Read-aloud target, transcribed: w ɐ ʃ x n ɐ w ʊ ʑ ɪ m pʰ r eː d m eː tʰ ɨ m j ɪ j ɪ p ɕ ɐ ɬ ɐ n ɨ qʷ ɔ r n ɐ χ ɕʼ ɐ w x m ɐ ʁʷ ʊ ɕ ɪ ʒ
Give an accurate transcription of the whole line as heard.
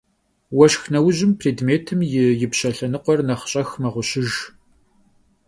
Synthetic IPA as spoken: w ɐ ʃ x n ɐ w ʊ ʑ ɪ m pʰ r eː d m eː tʰ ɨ m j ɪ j ɪ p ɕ ɐ ɬ ɐ n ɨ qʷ ɔ r n ɐ χ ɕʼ ɐ x m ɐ ʁʷ ʊ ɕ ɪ ʒ